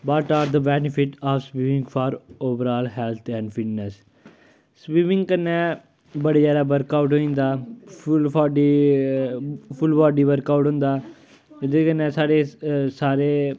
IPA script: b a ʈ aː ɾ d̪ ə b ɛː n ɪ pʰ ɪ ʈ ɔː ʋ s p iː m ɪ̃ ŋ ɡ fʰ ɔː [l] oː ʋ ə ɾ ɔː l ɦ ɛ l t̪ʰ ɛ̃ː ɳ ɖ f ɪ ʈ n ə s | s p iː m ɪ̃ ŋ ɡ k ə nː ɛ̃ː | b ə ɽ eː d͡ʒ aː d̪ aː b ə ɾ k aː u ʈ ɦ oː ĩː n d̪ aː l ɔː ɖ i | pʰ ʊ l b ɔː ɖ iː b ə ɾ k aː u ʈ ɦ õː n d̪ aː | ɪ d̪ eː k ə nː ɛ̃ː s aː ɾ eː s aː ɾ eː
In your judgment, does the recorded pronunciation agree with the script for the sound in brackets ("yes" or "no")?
no